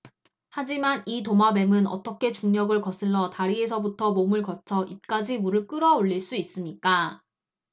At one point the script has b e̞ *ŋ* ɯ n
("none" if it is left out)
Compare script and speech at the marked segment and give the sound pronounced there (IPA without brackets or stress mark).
m